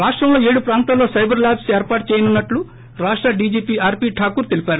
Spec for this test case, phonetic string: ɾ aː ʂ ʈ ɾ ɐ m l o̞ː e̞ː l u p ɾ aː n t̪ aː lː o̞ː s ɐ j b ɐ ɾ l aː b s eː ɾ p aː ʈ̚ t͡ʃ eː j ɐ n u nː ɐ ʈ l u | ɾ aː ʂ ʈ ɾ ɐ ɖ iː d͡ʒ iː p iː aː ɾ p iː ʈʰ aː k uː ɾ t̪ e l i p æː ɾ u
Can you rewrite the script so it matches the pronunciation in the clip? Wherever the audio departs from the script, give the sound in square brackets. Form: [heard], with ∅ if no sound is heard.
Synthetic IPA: ɾ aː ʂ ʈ ɾ ɐ m l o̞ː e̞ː [ɽ] u p ɾ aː n t̪ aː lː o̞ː s ɐ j b ɐ ɾ l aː b s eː ɾ p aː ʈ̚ t͡ʃ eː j ɐ n u nː ɐ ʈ l u | ɾ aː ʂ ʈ ɾ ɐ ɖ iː d͡ʒ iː p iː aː ɾ p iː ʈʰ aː k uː ɾ t̪ e l i p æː ɾ u